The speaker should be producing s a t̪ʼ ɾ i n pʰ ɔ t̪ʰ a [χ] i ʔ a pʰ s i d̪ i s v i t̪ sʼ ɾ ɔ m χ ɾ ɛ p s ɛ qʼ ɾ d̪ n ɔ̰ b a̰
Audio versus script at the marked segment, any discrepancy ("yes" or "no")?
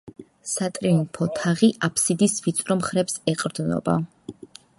yes